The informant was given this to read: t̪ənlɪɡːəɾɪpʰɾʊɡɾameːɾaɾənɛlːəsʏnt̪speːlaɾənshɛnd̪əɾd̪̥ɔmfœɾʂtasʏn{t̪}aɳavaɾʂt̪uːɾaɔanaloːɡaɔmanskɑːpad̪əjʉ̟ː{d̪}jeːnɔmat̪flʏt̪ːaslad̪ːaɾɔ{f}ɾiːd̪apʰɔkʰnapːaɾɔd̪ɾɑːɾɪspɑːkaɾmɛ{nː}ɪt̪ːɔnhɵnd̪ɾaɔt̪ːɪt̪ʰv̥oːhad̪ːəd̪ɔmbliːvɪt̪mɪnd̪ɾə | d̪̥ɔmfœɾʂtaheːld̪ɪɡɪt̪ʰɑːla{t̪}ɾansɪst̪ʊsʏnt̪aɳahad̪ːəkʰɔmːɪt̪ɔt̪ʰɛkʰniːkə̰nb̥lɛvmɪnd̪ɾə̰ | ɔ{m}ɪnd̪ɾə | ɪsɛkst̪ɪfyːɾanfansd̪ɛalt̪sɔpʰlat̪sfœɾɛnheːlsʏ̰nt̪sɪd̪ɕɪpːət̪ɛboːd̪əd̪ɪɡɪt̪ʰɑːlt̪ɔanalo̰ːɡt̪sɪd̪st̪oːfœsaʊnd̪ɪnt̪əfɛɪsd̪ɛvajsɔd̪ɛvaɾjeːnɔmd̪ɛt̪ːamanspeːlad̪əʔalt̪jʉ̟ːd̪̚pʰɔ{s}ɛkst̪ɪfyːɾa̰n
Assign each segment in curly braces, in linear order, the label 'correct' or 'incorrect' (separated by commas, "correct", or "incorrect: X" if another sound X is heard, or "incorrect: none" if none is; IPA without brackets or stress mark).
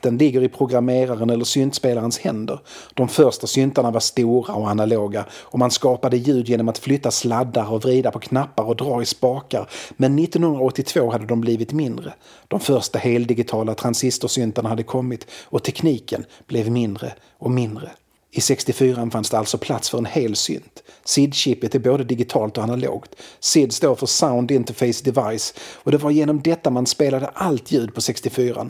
correct, correct, incorrect: v, correct, incorrect: t̪ʰ, correct, correct